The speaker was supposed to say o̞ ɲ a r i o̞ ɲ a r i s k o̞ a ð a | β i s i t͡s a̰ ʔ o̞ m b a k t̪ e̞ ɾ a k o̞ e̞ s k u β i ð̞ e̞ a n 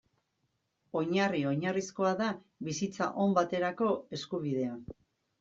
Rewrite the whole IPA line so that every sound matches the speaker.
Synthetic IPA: o̞ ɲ a r i o̞ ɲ a r i s k o̞ a ð a | β i s i t͡s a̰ ʔ o̞ m b a t̪ e̞ ɾ a k o̞ e̞ s k u β i ð̞ e̞ a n